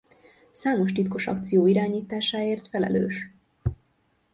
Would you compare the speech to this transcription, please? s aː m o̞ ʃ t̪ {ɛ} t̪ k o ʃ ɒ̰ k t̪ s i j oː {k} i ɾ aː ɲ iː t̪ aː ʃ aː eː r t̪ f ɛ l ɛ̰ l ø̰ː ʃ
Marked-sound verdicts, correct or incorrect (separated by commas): incorrect, incorrect